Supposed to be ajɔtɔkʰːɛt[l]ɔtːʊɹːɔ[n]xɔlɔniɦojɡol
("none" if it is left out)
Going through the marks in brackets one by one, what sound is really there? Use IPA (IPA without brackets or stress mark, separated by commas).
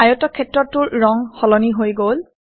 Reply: ɹ, ŋ